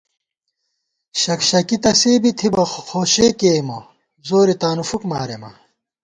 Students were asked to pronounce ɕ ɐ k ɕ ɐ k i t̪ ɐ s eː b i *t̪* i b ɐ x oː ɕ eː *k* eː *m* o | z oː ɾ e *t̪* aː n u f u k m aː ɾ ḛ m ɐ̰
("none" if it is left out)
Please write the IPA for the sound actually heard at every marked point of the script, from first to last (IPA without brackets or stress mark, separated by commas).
t̪ʰ, k, m, t̪